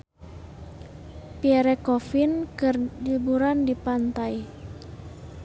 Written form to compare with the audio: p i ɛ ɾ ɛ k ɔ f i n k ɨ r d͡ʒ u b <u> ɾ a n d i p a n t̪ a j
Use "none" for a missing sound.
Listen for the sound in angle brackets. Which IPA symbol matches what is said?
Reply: u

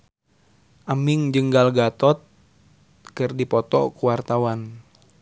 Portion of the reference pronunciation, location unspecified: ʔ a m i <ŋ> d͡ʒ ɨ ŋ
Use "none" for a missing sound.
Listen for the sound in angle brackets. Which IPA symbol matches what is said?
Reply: ŋ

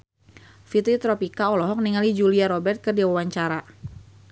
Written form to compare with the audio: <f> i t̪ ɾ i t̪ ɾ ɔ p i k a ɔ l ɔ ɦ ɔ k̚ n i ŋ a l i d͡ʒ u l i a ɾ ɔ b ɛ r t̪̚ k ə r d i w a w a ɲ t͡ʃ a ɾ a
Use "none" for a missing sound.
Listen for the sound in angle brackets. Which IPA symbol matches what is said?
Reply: f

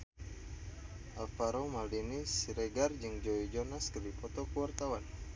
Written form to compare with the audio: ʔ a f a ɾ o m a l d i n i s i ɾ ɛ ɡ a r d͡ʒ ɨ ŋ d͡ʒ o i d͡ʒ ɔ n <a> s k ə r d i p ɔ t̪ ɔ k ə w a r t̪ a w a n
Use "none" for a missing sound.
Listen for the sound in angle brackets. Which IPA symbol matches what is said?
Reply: a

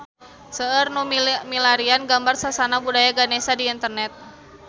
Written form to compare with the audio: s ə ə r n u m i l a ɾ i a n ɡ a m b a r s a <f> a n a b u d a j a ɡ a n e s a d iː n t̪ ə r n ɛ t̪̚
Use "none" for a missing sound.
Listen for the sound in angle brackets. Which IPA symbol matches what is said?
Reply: s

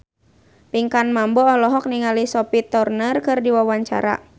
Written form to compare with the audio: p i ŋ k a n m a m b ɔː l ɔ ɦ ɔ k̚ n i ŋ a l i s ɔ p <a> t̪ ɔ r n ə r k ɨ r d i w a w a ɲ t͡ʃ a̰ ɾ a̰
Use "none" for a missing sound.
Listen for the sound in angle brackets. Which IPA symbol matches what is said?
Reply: i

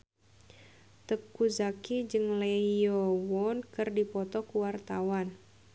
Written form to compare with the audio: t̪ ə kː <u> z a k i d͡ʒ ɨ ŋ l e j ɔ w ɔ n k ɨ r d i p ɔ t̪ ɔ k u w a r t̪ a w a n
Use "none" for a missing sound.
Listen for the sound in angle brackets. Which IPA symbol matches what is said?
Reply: u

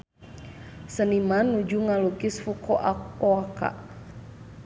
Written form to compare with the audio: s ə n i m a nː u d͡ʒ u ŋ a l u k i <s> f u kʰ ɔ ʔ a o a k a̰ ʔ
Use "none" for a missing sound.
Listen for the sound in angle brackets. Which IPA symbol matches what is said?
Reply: s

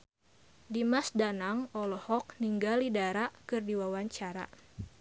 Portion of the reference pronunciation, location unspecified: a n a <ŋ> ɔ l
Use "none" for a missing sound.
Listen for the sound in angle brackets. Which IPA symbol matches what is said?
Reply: ŋ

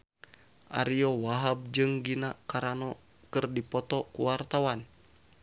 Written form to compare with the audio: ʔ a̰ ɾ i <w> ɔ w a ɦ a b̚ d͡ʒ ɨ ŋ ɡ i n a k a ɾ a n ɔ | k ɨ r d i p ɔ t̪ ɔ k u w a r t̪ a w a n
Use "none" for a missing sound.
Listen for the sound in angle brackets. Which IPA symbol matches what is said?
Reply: none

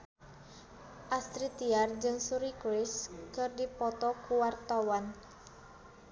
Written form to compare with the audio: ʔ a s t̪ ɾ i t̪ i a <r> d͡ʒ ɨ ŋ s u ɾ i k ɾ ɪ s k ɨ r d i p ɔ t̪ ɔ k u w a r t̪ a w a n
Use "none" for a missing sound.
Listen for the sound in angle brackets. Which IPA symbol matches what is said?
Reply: r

